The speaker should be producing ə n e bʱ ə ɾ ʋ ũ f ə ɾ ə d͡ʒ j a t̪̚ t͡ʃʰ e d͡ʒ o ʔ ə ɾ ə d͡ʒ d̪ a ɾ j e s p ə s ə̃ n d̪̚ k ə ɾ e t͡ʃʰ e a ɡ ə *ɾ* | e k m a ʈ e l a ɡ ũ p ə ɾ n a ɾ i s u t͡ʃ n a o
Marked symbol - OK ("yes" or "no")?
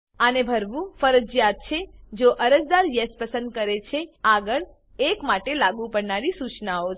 no